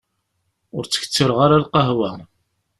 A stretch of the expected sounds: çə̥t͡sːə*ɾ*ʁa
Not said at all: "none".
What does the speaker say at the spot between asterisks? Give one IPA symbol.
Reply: ɾ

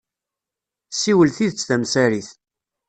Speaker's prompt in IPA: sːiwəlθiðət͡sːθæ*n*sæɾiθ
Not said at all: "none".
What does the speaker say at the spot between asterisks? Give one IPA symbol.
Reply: m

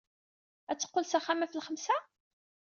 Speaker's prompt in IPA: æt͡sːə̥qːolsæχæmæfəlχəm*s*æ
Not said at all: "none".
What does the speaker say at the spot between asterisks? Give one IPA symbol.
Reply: s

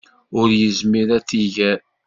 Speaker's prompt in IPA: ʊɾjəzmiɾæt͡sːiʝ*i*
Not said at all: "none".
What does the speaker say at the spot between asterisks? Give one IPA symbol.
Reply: æ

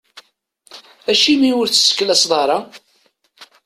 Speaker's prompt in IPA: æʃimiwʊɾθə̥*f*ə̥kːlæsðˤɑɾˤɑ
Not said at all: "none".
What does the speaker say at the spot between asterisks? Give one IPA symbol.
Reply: s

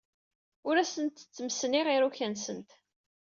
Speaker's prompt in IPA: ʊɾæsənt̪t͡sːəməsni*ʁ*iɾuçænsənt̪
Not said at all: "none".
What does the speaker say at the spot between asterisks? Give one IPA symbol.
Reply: ʁ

